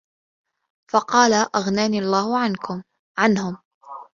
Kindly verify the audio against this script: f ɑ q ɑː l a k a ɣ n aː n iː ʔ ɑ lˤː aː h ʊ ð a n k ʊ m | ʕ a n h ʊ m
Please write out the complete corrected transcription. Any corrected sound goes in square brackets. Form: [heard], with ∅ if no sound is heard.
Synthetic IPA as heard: f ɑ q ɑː l a [ʔ] a ɣ n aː n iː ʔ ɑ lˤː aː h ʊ [ʕ] a n k ʊ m | ʕ a n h ʊ m